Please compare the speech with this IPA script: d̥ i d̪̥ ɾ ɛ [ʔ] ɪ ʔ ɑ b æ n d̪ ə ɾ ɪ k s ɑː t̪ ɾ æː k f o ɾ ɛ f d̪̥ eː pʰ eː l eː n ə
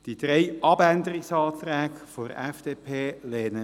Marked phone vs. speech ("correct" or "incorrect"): incorrect